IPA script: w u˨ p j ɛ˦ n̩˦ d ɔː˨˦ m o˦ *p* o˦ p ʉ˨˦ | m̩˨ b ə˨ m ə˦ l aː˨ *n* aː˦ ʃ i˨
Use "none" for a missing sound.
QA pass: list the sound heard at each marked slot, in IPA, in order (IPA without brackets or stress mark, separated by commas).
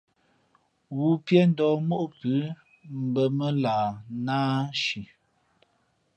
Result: ʔ, n